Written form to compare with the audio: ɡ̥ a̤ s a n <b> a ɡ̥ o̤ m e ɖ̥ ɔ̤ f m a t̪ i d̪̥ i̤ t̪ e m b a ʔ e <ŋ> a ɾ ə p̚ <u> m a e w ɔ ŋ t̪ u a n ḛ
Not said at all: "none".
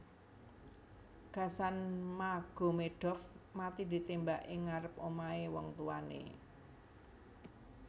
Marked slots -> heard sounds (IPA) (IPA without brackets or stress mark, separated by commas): m, ŋ, o